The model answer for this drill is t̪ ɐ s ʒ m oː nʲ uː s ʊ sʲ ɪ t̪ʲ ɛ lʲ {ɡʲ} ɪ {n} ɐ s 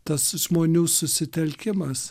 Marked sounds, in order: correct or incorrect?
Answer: incorrect: kʲ, incorrect: m

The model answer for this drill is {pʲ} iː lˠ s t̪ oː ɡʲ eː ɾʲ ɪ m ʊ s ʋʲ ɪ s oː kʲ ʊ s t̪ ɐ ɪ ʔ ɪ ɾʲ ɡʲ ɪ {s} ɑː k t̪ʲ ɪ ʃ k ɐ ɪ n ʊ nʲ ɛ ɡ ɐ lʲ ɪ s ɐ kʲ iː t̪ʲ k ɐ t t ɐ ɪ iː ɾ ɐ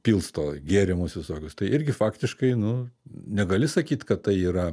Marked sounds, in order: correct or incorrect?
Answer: correct, incorrect: f

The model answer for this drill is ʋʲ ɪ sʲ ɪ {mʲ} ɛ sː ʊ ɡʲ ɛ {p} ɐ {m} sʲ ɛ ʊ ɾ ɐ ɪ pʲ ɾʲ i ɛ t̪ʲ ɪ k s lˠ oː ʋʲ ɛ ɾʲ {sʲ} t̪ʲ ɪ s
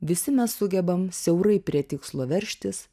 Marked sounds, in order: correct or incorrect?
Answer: correct, incorrect: b, correct, incorrect: ʃʲ

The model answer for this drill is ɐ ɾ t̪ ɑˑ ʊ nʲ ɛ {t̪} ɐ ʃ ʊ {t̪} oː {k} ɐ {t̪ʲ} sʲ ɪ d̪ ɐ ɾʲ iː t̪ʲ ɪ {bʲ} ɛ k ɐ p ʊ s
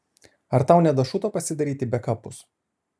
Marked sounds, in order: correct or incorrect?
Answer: incorrect: d̪, correct, incorrect: p, incorrect: none, correct

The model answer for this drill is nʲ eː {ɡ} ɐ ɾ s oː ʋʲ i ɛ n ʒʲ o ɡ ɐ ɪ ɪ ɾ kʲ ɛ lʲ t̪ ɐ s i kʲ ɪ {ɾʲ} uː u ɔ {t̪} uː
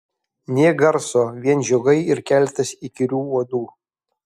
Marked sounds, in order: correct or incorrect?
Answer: correct, correct, incorrect: d̪

